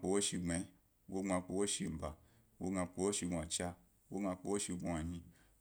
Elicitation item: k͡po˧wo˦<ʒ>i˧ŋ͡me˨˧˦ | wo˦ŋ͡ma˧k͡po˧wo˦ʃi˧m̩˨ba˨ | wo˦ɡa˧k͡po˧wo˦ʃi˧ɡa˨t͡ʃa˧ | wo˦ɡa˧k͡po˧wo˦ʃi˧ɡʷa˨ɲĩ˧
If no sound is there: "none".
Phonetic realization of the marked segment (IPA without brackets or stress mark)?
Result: ʃ